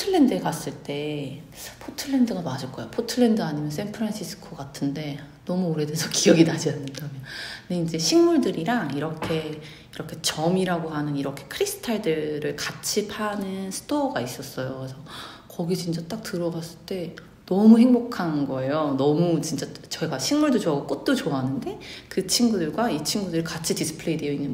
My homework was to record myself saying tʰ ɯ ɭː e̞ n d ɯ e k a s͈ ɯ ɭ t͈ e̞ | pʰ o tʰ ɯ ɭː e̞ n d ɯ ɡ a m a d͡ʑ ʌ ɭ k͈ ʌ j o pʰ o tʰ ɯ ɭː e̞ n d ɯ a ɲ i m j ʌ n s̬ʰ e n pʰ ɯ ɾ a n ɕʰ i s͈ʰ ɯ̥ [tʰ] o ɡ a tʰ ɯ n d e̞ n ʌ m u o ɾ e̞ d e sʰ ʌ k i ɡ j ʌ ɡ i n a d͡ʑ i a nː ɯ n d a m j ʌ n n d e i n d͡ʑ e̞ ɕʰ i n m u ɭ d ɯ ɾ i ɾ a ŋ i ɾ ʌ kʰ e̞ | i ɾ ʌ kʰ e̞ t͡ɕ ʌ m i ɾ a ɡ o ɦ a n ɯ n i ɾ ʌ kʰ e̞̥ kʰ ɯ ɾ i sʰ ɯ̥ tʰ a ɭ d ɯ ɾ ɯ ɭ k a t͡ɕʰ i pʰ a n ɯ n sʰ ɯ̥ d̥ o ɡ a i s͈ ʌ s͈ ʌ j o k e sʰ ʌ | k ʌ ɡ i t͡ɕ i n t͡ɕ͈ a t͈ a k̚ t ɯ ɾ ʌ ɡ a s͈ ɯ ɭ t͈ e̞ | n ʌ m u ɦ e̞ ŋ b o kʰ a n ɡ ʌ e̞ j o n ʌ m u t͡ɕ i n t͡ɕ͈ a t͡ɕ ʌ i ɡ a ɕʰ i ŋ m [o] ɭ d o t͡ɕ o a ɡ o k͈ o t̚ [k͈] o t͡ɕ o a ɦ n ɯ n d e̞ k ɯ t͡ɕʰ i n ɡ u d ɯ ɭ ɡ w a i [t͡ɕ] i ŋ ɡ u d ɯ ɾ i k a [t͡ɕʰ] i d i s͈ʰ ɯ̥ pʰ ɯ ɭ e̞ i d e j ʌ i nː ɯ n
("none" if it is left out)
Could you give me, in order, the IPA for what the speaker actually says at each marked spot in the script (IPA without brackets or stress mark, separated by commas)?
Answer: kʰ, u, t͈, t͡ɕʰ, t͡ɕʰ